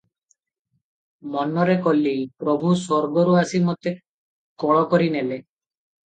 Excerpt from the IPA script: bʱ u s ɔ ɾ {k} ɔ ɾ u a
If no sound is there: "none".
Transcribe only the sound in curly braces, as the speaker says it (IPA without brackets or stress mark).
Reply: ɡ